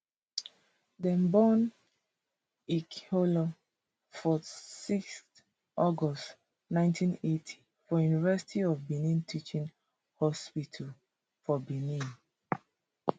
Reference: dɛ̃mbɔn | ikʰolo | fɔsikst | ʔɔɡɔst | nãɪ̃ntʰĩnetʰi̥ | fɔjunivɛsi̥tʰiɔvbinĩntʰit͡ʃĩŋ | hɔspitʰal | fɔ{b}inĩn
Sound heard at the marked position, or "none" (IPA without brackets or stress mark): b